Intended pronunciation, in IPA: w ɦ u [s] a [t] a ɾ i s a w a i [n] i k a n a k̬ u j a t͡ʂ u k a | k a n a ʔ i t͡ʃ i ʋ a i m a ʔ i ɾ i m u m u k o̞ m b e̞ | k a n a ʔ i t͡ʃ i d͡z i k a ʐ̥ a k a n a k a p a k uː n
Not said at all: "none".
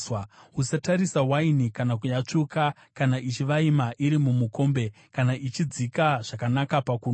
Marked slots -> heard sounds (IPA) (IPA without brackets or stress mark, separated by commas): s, t, n